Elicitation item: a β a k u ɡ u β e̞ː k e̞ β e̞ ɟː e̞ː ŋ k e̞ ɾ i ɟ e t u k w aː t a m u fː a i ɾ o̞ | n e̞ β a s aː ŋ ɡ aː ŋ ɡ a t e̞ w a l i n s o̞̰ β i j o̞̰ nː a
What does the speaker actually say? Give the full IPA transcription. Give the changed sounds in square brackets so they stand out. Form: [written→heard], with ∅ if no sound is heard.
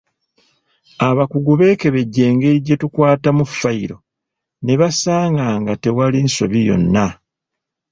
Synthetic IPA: a β a k u ɡ u β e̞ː k e̞ β e̞ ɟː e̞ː ŋ [k→ɡ] e̞ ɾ i ɟ e t u k w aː t a m u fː a i ɾ o̞ | n e̞ β a s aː ŋ ɡ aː ŋ ɡ a t e̞ w a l i n s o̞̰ β i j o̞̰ nː a